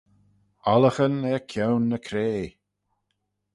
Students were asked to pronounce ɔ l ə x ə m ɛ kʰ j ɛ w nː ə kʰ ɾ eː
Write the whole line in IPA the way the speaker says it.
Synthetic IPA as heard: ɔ l ə x ə n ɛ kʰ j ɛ w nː ə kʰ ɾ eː